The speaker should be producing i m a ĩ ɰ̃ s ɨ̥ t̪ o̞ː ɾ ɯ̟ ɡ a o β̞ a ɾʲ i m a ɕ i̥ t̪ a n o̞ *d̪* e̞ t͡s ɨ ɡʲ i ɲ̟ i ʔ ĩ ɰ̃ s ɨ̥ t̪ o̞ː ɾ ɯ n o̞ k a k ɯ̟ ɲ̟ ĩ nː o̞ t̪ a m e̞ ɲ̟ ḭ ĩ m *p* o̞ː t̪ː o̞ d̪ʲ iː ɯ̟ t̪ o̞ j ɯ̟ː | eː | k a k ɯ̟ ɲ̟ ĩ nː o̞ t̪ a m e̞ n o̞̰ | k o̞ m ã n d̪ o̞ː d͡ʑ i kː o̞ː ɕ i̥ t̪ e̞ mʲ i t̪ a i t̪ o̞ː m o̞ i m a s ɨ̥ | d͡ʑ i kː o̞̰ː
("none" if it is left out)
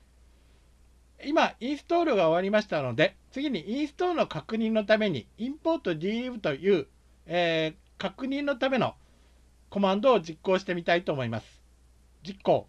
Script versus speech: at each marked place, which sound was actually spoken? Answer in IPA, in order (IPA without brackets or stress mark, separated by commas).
d̪, p